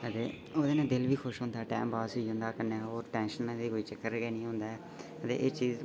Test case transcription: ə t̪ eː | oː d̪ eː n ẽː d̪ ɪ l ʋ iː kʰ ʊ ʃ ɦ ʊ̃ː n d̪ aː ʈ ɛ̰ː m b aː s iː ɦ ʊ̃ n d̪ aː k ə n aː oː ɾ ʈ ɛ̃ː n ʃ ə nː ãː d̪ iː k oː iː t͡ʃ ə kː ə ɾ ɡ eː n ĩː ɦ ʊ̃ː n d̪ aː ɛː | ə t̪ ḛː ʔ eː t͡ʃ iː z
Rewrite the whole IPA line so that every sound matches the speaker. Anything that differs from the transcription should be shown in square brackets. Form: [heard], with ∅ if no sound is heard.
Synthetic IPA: ə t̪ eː | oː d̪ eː n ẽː d̪ ɪ l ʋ iː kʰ ʊ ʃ ɦ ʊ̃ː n d̪ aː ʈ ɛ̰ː m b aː s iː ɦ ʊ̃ n d̪ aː k ə n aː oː ɾ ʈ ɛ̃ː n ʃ ə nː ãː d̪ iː k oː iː t͡ʃ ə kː ə ɾ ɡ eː n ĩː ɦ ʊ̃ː n d̪ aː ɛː | ə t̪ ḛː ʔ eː t͡ʃ iː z

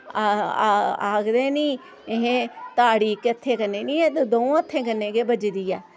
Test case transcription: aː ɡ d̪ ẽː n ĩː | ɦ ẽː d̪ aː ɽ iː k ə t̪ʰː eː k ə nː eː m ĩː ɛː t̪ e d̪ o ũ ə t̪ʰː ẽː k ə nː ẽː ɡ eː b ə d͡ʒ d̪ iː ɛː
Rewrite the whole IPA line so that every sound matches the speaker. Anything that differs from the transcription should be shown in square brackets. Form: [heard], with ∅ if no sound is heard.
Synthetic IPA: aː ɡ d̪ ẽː n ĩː | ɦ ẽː [t̪] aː ɽ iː k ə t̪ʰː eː k ə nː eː [n] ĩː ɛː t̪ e d̪ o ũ ə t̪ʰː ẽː k ə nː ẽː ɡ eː b ə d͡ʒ d̪ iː ɛː

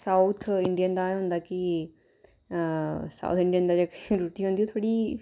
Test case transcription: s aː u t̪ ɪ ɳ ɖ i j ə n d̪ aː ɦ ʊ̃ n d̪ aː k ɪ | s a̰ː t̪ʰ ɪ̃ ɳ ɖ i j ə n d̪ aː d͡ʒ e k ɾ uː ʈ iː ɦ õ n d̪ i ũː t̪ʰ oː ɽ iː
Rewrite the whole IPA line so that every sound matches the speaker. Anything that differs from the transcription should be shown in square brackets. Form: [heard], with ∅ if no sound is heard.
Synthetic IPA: s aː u [t̪ʰ] ɪ ɳ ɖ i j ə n d̪ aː ɦ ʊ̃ n d̪ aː k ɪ | s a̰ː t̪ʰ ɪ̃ ɳ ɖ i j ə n d̪ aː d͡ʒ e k ɾ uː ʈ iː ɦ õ n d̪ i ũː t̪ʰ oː ɽ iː

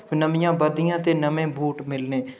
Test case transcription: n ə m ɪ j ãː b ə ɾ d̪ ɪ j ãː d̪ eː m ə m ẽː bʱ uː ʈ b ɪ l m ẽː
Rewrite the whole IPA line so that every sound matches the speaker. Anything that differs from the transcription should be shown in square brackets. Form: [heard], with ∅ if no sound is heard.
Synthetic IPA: n ə m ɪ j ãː b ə ɾ d̪ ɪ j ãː [t̪] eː [n] ə m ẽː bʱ uː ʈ [m] ɪ l [n] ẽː

